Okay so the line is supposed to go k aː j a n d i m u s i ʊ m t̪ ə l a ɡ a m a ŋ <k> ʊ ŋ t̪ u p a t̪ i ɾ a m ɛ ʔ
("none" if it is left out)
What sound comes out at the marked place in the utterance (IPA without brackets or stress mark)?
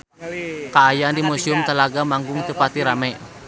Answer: ɡ